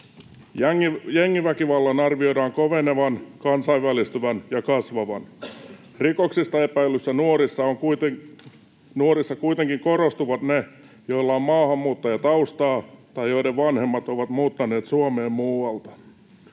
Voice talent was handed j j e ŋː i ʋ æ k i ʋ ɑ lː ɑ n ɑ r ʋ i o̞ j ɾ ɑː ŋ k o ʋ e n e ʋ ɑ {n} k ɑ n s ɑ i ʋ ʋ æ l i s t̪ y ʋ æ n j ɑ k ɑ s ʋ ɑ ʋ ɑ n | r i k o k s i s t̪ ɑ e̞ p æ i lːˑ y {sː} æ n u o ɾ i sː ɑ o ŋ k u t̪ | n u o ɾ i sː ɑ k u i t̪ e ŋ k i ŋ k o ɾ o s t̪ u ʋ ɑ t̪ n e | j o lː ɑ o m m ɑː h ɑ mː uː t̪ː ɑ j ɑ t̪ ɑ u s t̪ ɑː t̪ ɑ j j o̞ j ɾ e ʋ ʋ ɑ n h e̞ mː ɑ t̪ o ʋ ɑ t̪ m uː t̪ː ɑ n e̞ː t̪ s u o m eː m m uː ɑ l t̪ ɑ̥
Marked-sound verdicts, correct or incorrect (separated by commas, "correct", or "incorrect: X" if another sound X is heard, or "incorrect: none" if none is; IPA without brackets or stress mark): correct, correct